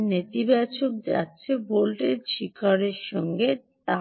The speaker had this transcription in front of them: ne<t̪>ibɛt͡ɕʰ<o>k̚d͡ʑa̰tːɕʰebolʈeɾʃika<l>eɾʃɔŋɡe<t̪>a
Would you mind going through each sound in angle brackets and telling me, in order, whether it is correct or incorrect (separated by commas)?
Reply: correct, correct, incorrect, correct